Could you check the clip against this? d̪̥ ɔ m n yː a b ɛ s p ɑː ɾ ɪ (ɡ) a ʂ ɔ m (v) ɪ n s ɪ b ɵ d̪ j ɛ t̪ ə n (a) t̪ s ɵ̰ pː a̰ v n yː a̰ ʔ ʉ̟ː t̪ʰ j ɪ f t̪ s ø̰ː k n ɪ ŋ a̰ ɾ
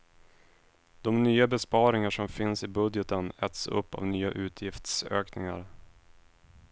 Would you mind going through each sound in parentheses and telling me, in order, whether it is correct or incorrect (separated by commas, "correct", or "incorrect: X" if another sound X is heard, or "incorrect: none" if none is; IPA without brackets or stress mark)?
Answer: incorrect: ŋ, incorrect: f, incorrect: ɛ